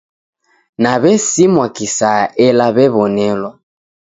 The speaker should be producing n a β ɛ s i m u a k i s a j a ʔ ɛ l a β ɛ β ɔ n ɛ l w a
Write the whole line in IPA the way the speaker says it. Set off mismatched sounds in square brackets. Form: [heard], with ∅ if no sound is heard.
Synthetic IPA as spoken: n a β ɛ s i m [w] a k i s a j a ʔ ɛ l a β ɛ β ɔ n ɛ l w a